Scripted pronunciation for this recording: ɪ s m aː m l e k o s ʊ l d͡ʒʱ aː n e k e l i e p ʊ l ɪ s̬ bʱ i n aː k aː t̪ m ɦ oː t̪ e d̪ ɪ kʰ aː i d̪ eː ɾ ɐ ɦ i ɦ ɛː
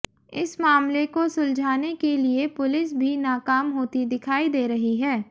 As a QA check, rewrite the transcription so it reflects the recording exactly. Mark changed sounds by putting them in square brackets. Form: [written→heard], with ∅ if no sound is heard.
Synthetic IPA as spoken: ɪ s m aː m l e k o s ʊ l d͡ʒʱ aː n e k e l i e p ʊ l ɪ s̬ bʱ i n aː k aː [t̪→∅] m ɦ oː t̪ [e→i] d̪ ɪ kʰ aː i d̪ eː ɾ ɐ ɦ i ɦ ɛː